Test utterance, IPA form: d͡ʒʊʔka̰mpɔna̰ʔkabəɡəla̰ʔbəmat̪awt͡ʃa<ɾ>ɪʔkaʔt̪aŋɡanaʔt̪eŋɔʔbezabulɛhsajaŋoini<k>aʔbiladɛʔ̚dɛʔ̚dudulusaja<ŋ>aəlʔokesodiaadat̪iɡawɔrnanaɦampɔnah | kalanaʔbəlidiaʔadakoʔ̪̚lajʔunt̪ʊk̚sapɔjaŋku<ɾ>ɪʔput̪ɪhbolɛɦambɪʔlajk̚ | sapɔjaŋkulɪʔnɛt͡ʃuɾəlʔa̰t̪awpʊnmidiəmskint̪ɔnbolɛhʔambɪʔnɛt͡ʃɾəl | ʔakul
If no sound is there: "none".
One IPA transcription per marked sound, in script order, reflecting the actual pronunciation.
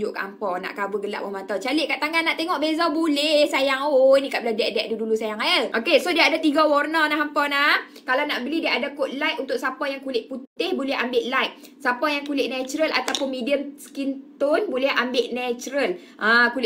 l, k, ŋ, l

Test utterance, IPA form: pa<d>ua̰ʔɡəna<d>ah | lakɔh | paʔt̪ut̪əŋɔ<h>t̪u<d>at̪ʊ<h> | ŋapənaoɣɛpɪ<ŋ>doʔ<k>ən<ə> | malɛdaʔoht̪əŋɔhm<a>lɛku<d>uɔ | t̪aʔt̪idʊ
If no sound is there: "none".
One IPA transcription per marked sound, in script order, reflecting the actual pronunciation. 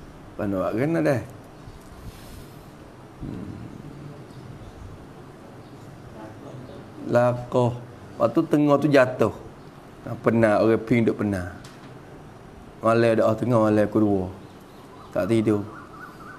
n, d, h, d͡ʒ, h, ŋ, p, a, a, d

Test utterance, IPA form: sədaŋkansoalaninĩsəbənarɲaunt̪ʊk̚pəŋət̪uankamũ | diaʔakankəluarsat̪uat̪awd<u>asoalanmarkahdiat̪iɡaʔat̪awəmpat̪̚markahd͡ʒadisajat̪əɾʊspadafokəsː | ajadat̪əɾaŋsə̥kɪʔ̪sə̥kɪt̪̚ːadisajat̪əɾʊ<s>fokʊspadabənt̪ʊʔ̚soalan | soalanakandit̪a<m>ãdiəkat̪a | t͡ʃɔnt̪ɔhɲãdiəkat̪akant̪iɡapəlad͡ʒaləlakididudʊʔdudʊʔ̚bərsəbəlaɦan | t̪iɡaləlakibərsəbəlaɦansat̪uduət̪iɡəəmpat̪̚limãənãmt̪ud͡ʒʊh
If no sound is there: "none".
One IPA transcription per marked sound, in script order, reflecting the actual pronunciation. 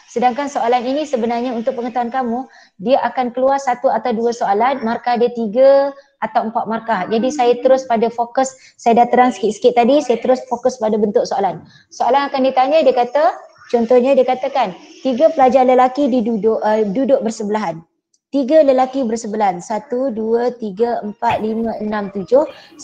u, s, ɲ

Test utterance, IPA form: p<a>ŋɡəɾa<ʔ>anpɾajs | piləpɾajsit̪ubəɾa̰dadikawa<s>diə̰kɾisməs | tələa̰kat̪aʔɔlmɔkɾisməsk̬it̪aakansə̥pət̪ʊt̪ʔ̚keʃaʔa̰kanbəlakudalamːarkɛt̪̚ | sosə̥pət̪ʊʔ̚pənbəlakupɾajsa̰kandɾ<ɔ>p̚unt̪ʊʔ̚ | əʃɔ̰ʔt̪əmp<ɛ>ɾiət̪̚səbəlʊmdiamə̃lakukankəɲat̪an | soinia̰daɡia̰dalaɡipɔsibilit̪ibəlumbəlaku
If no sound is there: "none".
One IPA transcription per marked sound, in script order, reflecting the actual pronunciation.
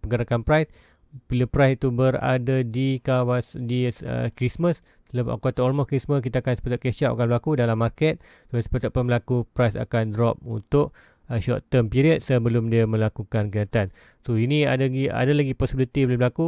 ə, k, s, ɔ, i

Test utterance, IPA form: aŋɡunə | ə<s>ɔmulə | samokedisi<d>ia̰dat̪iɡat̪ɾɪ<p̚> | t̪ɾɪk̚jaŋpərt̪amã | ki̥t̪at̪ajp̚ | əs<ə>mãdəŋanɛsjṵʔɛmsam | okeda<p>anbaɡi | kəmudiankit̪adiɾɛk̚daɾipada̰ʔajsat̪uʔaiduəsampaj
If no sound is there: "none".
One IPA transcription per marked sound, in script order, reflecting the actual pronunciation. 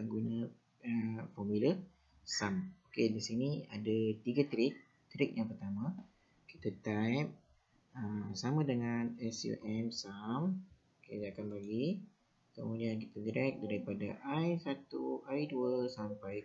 f, n, k̚, a, k

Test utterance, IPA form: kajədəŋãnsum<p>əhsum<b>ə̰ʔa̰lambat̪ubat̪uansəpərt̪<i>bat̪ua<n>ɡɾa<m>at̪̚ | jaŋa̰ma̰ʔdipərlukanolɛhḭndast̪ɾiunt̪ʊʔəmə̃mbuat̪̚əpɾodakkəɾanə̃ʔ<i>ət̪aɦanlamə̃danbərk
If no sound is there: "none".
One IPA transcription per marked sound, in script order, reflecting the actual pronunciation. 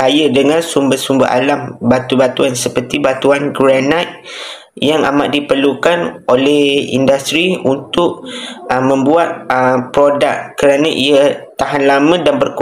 b, b, i, n, n, i

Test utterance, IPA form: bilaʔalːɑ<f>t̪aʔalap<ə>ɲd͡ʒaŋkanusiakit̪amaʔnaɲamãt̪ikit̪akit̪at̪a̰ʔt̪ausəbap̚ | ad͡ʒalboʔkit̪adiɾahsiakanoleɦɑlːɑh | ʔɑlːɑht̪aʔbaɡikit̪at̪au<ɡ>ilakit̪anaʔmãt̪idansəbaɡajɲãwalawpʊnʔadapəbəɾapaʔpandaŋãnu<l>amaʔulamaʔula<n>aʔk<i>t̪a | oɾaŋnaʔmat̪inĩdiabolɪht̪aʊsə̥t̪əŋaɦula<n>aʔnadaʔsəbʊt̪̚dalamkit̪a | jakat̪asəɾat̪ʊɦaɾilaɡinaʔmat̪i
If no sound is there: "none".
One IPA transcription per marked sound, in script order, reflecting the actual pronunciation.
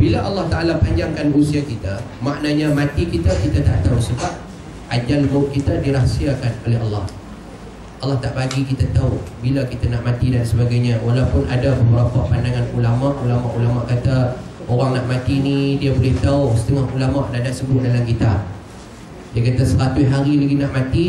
h, a, b, l, m, a, m

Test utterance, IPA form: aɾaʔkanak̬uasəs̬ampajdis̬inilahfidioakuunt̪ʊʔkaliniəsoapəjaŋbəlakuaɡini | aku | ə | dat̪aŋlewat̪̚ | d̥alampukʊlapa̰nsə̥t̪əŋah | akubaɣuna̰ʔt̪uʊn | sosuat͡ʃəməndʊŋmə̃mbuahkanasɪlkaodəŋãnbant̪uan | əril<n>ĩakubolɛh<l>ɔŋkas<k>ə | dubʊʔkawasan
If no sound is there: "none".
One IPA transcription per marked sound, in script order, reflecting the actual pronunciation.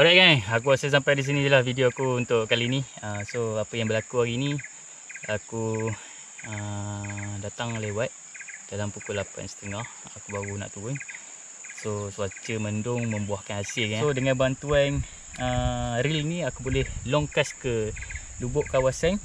n, l, k

